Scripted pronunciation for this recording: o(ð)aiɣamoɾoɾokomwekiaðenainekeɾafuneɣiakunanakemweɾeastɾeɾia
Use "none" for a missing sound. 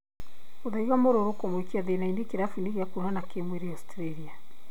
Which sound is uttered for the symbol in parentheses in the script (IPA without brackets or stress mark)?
ð